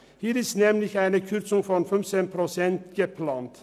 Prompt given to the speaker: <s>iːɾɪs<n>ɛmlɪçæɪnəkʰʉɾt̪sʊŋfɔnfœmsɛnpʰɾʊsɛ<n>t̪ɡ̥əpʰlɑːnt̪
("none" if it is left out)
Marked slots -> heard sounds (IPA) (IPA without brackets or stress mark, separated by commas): h, n, n